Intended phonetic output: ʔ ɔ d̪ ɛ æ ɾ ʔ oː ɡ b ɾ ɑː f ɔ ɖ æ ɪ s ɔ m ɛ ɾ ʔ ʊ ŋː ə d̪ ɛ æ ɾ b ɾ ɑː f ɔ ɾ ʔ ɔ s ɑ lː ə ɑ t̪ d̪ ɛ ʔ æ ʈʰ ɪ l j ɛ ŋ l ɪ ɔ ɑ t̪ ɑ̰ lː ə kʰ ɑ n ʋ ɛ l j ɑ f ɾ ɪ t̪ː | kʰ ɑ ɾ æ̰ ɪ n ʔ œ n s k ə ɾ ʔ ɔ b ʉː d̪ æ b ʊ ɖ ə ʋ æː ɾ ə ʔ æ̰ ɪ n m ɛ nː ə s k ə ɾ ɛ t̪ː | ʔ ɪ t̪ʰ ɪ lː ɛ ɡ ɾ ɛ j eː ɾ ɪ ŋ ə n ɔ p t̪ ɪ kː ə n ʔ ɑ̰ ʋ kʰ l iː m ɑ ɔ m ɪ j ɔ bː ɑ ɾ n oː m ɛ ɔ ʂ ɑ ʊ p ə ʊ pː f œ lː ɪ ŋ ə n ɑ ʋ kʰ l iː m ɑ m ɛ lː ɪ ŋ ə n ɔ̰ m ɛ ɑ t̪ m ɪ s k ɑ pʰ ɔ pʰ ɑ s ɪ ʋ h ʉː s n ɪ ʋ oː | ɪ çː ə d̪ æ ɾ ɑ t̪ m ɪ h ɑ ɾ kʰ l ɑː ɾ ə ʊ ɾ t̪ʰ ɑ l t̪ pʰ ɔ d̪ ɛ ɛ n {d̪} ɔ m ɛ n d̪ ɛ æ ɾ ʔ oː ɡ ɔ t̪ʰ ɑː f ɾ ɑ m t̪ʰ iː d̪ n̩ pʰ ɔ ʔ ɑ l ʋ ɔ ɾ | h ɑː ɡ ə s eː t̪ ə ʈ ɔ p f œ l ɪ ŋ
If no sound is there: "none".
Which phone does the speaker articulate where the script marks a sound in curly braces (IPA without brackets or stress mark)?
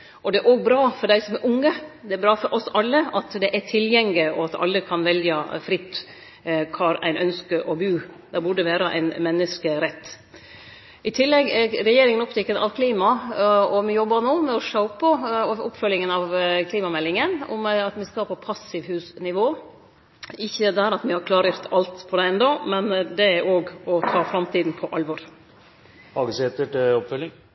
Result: d̪